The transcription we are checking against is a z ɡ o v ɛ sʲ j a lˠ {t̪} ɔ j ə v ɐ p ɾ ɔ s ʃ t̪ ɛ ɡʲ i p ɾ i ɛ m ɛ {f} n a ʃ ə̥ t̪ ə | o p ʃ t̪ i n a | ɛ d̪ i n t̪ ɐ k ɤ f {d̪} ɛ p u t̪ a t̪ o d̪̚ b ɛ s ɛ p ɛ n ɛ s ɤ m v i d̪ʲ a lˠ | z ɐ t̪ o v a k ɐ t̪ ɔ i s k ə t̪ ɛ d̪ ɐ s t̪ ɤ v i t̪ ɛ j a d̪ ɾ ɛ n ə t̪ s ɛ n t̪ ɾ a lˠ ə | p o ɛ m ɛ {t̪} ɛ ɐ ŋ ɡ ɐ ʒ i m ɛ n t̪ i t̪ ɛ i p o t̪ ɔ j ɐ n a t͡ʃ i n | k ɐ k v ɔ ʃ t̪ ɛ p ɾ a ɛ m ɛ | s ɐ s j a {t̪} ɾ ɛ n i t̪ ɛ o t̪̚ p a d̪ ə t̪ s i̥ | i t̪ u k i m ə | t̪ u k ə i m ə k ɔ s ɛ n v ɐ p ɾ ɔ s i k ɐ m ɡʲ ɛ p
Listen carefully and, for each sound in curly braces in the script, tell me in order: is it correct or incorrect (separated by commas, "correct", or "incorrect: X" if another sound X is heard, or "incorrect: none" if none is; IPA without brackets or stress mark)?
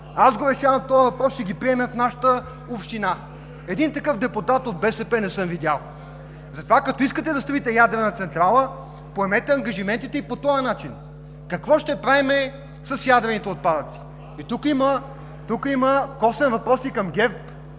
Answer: correct, correct, correct, correct, incorrect: d̪